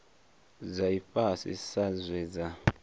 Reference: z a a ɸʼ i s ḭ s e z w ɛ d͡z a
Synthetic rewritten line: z a i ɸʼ a s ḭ s a z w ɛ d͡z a